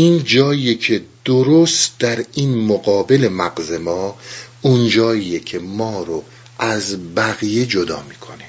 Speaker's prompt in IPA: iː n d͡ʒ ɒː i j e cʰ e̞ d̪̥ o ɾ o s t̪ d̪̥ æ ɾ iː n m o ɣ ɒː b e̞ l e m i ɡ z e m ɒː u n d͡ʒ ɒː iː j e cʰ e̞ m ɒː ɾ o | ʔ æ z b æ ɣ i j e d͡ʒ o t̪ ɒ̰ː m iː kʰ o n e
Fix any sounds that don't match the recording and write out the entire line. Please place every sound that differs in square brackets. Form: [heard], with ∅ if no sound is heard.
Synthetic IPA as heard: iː n d͡ʒ ɒː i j e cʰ e̞ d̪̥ o ɾ o s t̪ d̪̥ æ ɾ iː n m o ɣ ɒː b e̞ l e m [æ] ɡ z e m ɒː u n d͡ʒ ɒː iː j e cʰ e̞ m ɒː ɾ o | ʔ æ z b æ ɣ i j e d͡ʒ o [d̪] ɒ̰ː m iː kʰ o n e